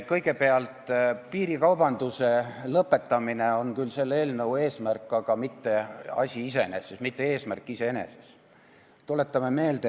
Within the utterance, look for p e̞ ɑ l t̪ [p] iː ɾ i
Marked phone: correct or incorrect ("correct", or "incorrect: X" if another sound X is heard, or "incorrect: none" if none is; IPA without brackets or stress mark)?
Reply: correct